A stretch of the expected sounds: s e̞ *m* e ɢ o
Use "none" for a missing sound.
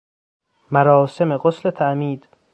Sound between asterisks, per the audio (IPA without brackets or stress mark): m